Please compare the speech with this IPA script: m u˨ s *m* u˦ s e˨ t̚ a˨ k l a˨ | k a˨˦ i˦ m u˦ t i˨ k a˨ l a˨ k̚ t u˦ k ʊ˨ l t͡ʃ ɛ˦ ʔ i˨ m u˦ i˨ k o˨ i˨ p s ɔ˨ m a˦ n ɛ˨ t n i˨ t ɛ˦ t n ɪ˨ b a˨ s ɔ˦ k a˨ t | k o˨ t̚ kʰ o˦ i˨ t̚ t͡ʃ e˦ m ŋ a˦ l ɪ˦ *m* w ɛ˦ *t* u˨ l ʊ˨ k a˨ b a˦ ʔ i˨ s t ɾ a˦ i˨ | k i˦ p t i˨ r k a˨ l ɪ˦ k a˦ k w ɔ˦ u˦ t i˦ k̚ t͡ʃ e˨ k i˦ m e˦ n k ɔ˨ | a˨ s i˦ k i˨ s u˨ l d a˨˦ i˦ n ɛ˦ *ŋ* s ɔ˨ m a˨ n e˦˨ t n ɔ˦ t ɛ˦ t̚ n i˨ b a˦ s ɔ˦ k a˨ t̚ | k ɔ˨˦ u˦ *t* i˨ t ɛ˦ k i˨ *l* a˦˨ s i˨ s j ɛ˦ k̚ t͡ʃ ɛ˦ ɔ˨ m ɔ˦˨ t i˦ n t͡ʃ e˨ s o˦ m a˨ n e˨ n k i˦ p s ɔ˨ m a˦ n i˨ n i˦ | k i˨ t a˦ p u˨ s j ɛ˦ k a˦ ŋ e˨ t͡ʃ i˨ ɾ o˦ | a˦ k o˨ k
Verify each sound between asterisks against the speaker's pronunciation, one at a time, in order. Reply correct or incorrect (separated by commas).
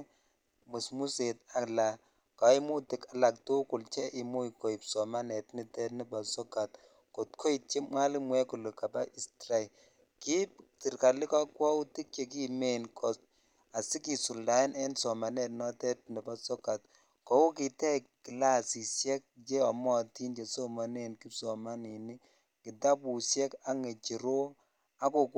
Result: correct, correct, incorrect, incorrect, incorrect, correct